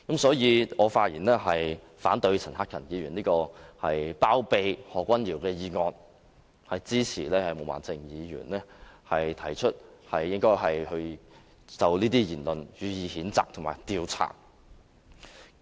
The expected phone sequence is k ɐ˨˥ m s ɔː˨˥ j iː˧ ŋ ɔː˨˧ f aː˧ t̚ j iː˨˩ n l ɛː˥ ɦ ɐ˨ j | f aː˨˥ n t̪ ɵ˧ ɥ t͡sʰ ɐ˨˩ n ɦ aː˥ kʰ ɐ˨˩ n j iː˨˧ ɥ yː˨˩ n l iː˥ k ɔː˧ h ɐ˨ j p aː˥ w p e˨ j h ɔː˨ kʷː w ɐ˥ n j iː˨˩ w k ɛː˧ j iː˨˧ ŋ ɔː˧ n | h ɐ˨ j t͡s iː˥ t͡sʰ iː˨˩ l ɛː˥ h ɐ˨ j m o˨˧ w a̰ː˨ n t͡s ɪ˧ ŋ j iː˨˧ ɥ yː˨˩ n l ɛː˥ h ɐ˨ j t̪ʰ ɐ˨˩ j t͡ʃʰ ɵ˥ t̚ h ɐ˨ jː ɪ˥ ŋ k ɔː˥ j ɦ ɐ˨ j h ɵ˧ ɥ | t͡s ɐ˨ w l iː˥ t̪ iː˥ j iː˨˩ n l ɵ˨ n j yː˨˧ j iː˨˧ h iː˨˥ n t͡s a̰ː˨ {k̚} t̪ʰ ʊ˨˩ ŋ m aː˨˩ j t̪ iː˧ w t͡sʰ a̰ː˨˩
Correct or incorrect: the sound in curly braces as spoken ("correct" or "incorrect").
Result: correct